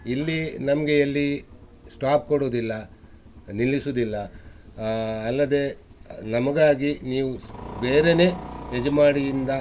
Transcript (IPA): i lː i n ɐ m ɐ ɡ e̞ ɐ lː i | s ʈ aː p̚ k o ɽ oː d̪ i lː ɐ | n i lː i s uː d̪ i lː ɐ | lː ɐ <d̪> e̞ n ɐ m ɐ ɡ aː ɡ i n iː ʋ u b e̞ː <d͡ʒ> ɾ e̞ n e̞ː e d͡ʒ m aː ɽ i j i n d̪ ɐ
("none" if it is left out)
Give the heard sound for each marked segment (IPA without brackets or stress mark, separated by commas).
d̪, none